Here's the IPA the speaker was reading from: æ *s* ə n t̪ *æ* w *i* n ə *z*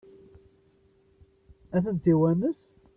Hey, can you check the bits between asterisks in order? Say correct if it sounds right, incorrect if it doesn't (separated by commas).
incorrect, incorrect, incorrect, incorrect